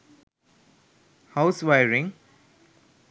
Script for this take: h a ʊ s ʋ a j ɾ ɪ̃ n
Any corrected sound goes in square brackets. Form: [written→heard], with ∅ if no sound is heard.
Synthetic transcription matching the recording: h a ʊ s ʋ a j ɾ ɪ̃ [n→ŋ]